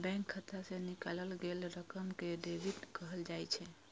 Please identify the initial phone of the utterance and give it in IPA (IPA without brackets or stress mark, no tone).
b